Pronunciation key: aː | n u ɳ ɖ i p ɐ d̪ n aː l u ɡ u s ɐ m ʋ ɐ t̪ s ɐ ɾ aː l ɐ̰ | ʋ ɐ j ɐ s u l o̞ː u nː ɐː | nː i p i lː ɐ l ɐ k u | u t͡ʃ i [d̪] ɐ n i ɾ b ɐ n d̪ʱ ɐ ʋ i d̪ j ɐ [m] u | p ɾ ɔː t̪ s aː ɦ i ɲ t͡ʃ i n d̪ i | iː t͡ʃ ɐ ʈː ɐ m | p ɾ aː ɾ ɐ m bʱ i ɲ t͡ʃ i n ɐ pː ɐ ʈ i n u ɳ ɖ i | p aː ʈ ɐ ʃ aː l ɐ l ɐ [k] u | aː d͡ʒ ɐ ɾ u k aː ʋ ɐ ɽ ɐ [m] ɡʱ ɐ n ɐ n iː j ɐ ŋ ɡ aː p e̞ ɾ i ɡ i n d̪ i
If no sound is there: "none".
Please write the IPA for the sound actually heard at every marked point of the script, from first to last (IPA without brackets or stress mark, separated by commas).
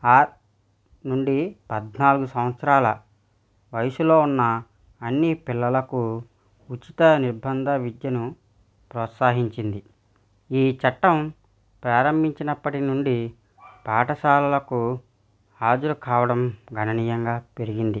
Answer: t̪, n, k, m